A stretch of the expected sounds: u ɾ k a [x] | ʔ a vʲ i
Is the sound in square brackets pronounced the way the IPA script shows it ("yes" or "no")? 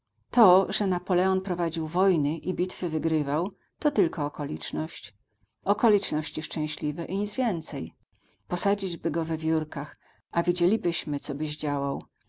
yes